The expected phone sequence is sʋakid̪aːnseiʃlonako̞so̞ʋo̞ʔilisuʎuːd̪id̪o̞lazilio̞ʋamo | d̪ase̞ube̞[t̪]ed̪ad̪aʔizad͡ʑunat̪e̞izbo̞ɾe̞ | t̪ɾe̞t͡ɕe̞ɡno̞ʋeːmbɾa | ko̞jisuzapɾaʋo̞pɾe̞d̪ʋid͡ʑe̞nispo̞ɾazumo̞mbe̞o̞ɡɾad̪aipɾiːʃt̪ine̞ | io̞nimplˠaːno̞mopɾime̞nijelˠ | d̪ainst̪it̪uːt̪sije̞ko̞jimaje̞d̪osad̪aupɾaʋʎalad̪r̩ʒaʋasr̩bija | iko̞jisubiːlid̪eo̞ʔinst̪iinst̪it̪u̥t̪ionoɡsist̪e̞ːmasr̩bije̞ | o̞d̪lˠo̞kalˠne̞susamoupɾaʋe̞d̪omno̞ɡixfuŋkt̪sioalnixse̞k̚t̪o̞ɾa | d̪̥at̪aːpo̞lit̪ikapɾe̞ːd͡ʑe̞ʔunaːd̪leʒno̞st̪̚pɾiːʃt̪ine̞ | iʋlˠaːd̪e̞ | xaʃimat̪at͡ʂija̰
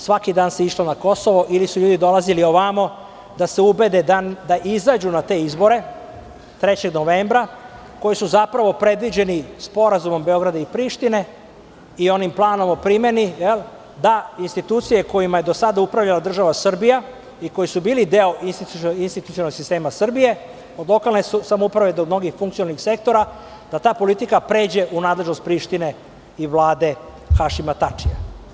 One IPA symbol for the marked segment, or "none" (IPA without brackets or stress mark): d̪